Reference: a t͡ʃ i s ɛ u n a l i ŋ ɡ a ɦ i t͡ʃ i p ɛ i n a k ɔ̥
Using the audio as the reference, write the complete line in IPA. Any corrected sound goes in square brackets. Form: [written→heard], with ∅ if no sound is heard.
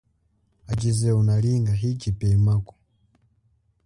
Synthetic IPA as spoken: a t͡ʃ i [s→z] ɛ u n a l i ŋ ɡ a ɦ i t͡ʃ i p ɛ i [n→m] a k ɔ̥